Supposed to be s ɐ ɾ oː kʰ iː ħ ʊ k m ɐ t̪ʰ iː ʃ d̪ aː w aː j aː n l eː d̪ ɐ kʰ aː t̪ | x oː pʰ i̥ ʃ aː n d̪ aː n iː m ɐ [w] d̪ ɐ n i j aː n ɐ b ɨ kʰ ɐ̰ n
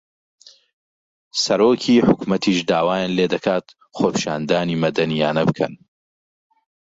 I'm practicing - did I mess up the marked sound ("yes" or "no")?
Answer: yes